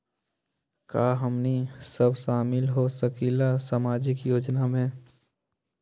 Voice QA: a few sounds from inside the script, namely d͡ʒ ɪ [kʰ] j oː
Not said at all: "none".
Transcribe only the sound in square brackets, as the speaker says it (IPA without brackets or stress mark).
k